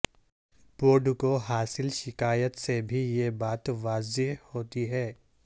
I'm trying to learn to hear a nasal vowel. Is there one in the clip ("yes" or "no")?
no